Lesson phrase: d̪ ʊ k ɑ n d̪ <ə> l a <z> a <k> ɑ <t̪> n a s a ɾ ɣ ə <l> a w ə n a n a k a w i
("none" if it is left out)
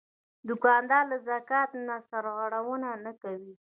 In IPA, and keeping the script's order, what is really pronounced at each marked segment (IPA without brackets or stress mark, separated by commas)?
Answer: ɑ, z, k, t̪, ɽ